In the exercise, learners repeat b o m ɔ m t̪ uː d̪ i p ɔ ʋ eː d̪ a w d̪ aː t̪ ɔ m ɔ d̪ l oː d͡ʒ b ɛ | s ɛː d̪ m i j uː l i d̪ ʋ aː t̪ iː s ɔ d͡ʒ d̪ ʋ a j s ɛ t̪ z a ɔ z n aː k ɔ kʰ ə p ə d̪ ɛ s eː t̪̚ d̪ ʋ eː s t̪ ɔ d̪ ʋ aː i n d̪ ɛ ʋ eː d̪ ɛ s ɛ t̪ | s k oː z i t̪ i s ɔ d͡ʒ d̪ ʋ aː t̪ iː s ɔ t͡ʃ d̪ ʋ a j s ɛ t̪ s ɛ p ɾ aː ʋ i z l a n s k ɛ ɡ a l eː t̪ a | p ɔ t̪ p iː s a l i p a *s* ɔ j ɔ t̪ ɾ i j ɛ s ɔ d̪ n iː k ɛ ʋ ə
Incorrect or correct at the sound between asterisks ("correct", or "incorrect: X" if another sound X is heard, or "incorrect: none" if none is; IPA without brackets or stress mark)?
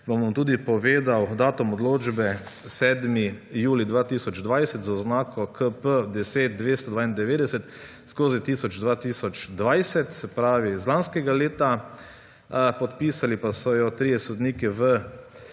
correct